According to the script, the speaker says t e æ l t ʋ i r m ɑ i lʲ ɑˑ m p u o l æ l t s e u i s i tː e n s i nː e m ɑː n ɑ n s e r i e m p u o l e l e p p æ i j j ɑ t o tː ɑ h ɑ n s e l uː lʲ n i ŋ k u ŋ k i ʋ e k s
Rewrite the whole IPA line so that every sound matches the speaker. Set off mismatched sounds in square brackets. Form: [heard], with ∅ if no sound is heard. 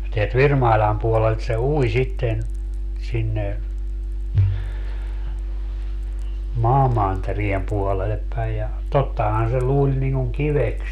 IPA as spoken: t e æ l t ʋ i r m ɑ i lʲ ɑˑ m p u o l [e] l t s e u i s i tː e n s i nː e m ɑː [m] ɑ n [t] e r i e m p u o l e l e p p æ i j j ɑ t o tː ɑ h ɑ n s e l uː lʲ n i ŋ k u ŋ k i ʋ e k s